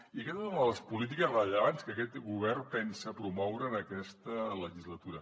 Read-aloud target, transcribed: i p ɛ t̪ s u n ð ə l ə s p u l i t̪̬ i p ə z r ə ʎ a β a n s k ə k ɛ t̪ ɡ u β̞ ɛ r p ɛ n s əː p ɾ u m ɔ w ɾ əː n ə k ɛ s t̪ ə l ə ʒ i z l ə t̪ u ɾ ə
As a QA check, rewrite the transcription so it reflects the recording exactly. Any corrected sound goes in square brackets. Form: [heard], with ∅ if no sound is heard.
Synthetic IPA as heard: i [k] ɛ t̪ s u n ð ə l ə s p u l i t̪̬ i [k] ə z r ə ʎ [ə] β a n s k ə k ɛ t̪ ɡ u β̞ ɛ r p ɛ n s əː p ɾ u m ɔ w ɾ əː n ə k ɛ s t̪ ə l ə ʒ i z l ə t̪ u ɾ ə